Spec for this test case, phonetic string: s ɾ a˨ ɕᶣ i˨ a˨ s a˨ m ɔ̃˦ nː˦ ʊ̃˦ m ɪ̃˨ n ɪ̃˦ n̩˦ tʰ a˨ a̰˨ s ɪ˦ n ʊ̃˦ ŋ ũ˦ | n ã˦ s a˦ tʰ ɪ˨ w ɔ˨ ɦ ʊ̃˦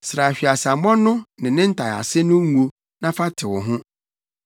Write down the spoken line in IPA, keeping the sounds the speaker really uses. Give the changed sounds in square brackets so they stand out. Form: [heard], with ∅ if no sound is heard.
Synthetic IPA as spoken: s ɾ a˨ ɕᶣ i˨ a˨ s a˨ m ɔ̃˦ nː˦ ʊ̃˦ [n] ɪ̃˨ n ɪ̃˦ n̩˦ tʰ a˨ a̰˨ s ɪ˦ n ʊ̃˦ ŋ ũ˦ | n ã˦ [f] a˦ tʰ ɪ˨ w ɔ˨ ɦ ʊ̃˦